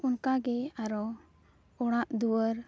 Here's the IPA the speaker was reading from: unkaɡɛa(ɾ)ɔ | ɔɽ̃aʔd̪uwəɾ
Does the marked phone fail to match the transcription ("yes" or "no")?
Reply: no